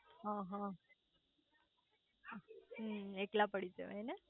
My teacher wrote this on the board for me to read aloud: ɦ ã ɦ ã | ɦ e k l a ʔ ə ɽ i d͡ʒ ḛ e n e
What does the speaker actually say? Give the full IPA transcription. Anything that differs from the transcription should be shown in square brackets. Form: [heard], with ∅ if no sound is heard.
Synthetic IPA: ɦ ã ɦ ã | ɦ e k l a [p] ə ɽ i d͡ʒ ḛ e n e